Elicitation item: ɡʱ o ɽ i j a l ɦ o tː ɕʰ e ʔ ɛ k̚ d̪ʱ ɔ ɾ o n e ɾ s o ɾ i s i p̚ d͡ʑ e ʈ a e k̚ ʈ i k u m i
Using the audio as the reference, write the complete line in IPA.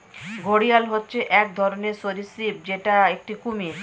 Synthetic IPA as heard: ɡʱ o ɽ i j a l ɦ o tː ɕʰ e ʔ ɛ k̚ d̪ʱ ɔ ɾ o n e ɾ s o ɾ i s i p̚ d͡ʑ e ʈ a e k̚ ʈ i k u m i